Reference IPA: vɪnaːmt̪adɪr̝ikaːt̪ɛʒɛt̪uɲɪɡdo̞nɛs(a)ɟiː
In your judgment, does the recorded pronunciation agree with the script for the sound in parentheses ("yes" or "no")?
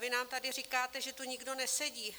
no